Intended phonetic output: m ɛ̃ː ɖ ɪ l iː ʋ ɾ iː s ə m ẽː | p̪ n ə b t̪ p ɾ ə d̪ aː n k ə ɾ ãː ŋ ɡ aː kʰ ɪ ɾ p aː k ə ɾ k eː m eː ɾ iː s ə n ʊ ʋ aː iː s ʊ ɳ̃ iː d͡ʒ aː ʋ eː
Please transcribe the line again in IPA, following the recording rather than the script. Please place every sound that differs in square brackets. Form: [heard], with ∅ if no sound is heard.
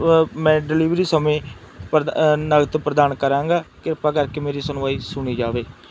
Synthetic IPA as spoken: m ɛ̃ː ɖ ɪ l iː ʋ ɾ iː s ə m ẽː | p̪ n ə [ɡ] t̪ p ɾ ə d̪ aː n k ə ɾ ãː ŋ ɡ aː [k] ɪ ɾ p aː k ə ɾ k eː m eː ɾ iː s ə n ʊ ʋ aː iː s ʊ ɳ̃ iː d͡ʒ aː ʋ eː